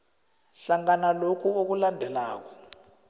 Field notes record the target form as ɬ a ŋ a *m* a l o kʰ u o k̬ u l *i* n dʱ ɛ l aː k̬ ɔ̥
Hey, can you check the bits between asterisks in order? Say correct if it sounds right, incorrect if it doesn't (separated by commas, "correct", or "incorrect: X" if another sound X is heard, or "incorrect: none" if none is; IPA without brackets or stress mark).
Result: incorrect: n, incorrect: a